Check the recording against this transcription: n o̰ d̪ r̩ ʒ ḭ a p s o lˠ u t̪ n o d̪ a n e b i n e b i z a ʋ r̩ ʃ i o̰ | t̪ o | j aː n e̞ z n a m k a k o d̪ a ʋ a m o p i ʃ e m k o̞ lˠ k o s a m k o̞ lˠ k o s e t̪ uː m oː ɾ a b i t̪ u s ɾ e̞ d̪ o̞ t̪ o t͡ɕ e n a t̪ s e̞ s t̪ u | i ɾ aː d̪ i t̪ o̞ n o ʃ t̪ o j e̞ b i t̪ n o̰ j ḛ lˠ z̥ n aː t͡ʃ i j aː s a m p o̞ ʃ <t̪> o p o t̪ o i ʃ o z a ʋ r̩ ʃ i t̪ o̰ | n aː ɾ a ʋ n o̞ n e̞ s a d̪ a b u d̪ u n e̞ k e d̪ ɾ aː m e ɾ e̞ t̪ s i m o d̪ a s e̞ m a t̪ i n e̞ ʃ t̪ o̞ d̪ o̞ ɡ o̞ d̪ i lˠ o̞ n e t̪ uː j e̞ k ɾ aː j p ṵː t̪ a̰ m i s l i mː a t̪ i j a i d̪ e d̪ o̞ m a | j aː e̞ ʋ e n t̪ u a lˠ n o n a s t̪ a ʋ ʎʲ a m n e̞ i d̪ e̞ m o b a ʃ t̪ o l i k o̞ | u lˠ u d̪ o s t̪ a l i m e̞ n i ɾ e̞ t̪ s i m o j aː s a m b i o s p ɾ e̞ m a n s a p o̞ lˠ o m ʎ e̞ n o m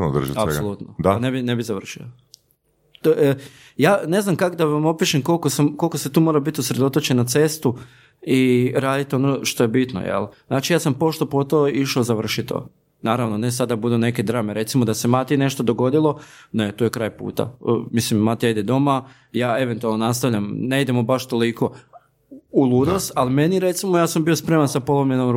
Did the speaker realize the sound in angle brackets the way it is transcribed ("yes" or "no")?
yes